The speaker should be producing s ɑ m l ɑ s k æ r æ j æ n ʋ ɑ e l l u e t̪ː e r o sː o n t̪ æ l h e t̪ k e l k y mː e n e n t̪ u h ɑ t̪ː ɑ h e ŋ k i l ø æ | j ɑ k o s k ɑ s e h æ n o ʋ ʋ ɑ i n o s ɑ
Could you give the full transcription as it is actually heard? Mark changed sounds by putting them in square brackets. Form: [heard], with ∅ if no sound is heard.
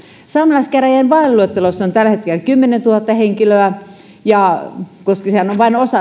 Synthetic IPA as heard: s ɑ m l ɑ s k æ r æ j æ n ʋ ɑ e l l u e t̪ː e [l] o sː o n t̪ æ l h e t̪ k e l k y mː e n e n t̪ u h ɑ t̪ː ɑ h e ŋ k i l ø æ | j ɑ k o s k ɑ s e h æ n o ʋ ʋ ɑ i n o s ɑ

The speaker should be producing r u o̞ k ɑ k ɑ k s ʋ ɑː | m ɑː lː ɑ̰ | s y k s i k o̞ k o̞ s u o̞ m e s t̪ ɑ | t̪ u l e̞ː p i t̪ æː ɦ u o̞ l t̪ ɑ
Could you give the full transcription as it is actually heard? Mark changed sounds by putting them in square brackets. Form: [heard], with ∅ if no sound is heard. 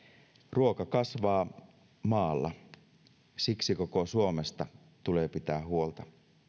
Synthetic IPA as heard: r u o̞ k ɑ k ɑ [∅] s ʋ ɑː | m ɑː lː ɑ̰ | s [i] k s i k o̞ k o̞ s u o̞ m e s t̪ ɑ | t̪ u l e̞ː p i t̪ æː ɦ u o̞ l t̪ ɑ

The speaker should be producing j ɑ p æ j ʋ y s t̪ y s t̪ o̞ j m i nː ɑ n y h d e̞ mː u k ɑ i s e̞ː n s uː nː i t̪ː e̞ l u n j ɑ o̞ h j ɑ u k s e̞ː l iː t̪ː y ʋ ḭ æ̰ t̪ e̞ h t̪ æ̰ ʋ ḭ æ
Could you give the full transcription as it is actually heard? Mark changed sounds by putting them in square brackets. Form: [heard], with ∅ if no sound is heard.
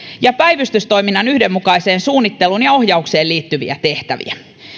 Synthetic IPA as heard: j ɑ p æ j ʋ y s t̪ y s t̪ o̞ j m i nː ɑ n y h d e̞ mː u k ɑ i s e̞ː n s uː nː i t̪ː e̞ l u n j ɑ o̞ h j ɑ u k s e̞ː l iː t̪ː y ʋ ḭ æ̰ t̪ e̞ h t̪ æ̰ ʋ ḭ æ

